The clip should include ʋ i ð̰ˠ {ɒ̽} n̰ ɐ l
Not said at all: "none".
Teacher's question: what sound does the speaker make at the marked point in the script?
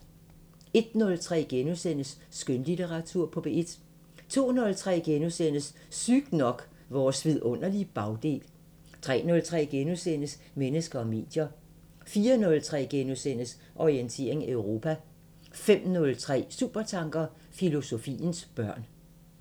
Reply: ɔ̽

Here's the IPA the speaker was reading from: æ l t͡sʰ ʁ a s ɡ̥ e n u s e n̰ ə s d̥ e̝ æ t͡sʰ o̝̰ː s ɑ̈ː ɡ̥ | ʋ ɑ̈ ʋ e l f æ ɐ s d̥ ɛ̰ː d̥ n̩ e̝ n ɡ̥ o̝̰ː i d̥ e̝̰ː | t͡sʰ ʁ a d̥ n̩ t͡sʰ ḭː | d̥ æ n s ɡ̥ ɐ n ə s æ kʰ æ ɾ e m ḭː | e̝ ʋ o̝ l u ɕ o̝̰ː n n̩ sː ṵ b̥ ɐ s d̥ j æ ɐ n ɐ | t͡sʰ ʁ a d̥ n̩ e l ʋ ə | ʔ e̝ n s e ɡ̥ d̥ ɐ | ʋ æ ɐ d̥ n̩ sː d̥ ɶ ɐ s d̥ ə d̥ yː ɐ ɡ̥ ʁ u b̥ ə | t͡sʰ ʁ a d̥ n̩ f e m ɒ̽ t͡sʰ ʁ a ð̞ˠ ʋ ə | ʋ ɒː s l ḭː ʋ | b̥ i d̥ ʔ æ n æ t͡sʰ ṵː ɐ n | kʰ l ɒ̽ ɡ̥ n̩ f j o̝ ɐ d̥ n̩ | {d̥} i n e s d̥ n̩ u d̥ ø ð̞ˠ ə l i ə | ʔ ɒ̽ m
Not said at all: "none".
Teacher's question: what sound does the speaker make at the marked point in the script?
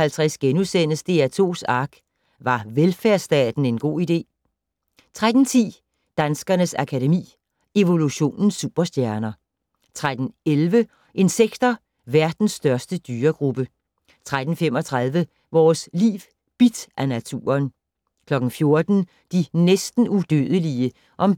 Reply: d̥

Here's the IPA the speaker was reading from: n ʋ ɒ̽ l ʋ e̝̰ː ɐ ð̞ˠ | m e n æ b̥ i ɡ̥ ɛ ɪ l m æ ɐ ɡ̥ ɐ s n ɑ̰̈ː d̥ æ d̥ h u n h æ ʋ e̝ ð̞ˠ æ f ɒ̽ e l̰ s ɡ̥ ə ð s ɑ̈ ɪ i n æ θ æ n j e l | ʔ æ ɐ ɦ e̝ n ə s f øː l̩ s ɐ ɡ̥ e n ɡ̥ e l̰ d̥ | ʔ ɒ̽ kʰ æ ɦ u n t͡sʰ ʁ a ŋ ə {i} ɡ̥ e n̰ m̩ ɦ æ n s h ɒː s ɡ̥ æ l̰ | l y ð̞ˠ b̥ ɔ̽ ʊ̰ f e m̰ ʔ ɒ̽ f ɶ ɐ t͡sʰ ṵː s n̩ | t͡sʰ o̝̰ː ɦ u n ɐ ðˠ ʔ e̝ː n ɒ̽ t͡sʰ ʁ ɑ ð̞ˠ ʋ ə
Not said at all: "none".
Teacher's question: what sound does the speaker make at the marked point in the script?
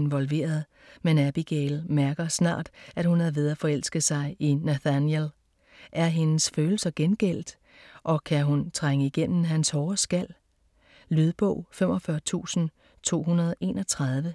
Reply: i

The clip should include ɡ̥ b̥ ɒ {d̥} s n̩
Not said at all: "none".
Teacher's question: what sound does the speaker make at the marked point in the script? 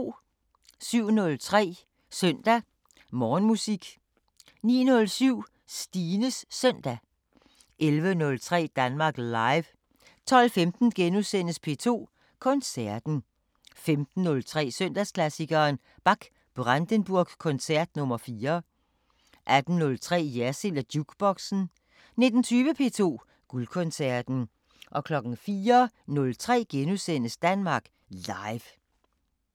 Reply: ɡ̥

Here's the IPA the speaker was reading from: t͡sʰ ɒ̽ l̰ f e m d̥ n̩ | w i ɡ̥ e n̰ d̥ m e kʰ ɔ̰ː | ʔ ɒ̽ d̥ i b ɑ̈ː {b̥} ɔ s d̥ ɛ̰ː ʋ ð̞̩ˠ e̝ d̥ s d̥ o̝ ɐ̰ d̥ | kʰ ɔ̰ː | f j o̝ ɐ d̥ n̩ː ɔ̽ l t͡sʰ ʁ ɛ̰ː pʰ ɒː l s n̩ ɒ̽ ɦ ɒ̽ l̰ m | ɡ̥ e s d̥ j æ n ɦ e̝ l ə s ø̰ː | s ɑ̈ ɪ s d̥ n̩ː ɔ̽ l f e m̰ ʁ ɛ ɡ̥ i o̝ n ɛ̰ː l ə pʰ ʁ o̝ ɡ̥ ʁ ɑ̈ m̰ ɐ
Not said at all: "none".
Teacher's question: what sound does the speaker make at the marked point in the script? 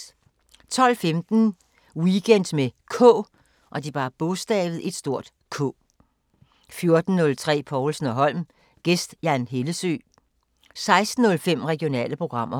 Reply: b̥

